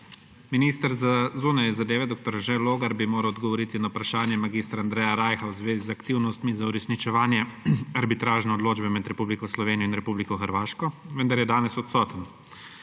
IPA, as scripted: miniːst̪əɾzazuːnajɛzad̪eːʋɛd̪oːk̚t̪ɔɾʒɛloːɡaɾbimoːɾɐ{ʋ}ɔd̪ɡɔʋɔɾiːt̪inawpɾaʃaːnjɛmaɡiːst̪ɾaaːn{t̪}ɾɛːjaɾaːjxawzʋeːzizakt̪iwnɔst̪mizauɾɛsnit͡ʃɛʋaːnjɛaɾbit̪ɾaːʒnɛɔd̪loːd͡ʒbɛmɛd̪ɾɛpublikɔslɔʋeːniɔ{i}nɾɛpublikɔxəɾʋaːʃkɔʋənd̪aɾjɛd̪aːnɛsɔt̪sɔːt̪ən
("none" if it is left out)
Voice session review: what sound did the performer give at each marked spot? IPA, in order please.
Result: w, d̪, i

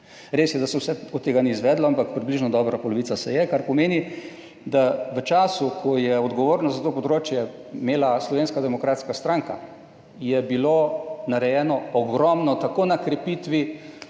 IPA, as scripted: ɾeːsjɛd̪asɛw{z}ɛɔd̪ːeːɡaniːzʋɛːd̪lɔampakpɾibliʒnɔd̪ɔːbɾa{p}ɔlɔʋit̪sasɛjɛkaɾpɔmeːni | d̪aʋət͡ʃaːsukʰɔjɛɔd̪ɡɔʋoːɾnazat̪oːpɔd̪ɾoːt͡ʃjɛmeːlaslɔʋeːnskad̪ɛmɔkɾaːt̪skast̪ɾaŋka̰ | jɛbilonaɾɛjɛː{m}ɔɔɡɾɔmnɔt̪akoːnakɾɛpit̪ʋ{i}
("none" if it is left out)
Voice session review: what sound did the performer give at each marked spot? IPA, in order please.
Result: s, p, n, i

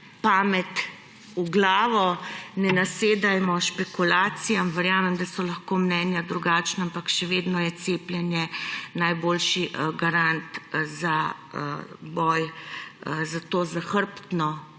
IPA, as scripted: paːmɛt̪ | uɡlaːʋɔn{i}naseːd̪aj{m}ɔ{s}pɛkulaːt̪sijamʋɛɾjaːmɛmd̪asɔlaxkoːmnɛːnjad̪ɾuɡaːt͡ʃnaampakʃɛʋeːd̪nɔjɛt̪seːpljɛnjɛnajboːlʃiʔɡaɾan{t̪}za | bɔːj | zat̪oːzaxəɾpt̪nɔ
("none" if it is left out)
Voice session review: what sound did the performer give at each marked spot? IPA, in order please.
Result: ɛ, m, ʃ, t̪

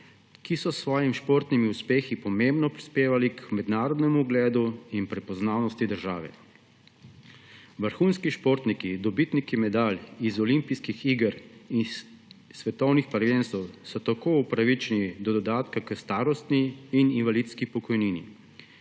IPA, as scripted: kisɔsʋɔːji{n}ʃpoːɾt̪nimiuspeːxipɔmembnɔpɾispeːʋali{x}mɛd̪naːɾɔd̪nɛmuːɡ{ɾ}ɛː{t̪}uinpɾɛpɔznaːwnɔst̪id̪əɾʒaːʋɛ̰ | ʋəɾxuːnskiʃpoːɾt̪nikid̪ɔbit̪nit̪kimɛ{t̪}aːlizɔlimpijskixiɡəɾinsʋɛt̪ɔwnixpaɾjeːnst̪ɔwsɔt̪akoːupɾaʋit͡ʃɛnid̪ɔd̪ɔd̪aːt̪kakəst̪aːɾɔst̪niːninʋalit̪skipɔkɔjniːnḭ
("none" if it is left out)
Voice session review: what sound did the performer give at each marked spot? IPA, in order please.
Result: m, k, l, d̪, d̪

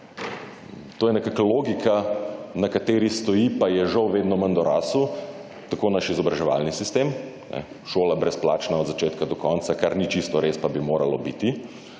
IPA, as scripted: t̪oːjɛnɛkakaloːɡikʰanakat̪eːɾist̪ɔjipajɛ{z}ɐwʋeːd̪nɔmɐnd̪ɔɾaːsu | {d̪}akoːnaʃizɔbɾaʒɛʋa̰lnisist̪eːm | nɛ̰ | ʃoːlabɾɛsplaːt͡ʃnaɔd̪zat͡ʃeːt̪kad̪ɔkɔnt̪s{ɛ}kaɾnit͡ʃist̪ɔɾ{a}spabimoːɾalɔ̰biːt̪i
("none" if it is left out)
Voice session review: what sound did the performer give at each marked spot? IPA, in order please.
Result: ʒ, t̪, a, e

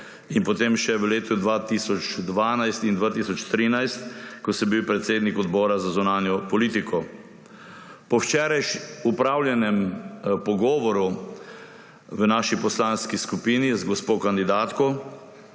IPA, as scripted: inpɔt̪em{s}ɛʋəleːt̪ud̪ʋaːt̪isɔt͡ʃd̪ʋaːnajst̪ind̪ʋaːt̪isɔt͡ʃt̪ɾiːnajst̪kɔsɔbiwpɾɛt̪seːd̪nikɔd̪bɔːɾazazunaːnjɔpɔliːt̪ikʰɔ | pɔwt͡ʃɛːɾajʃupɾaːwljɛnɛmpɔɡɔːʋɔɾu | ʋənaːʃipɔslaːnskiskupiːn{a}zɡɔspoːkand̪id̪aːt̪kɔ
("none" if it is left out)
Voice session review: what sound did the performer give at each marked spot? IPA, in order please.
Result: ʃ, i

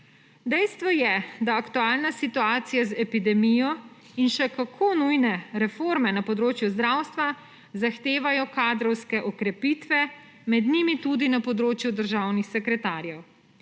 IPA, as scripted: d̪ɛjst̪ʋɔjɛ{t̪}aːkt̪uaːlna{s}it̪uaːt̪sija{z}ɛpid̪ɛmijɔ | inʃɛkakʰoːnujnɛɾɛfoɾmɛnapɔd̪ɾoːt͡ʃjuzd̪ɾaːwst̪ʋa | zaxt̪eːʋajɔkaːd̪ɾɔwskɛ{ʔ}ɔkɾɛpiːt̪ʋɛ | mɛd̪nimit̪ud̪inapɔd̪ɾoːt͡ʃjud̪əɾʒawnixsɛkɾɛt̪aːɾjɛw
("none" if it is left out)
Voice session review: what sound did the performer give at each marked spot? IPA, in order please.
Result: d̪, s, z, ʔ

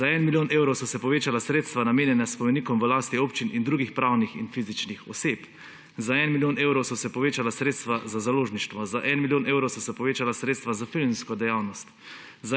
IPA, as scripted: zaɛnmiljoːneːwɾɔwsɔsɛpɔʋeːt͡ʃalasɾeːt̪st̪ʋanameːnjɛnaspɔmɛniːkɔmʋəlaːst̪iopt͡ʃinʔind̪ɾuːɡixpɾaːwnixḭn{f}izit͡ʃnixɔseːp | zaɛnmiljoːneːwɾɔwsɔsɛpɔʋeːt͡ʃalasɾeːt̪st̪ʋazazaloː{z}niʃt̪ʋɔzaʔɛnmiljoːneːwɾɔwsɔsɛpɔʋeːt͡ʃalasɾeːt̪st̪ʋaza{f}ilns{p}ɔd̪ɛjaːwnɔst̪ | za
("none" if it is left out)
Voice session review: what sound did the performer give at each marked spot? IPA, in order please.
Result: f, ʒ, f, k

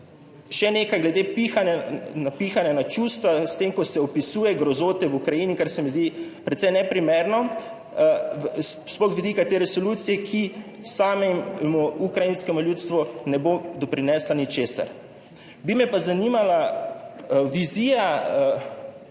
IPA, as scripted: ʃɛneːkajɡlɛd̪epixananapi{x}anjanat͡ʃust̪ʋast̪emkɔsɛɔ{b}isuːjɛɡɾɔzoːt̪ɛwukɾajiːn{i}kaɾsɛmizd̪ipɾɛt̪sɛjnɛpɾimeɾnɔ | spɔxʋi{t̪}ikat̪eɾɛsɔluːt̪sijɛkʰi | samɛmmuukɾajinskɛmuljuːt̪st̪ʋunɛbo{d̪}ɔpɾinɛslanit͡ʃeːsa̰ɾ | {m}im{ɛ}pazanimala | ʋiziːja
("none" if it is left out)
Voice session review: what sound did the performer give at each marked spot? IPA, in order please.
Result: x, p, i, d̪, d̪, b, ɛ

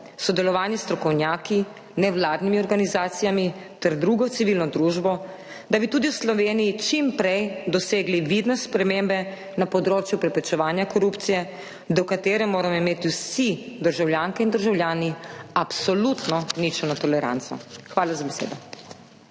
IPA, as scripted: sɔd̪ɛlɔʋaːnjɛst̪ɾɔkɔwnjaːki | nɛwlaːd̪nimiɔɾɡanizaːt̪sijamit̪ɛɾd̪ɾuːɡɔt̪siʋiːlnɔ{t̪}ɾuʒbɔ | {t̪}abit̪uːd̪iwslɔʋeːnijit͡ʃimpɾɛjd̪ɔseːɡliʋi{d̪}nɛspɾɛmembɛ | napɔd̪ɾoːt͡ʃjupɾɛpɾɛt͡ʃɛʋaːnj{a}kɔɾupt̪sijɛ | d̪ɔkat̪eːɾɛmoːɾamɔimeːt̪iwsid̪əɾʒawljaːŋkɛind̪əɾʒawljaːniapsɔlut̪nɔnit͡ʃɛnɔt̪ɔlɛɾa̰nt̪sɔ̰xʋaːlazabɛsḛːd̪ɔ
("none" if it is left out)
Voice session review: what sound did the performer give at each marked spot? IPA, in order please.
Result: d̪, d̪, d̪, a

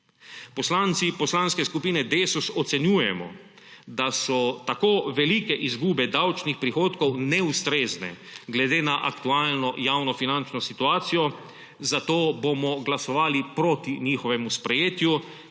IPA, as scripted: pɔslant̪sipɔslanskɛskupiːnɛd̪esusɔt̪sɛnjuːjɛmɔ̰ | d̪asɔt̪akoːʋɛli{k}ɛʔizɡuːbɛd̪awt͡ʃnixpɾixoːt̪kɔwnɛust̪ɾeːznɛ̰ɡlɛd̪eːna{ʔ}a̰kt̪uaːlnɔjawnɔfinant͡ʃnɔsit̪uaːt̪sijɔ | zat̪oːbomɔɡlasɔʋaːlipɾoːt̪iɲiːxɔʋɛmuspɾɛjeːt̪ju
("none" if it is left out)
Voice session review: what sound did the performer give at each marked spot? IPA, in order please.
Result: k, ʔ

